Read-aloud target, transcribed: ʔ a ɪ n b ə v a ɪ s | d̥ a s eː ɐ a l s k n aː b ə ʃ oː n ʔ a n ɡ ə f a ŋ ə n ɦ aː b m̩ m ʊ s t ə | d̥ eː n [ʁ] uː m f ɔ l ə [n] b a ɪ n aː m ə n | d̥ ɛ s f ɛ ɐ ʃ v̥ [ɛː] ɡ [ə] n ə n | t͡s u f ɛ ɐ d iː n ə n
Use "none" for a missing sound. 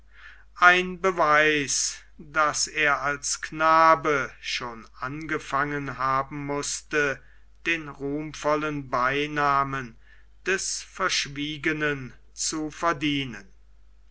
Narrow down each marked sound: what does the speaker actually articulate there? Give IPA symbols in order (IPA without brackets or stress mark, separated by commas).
ʁ, n, iː, ə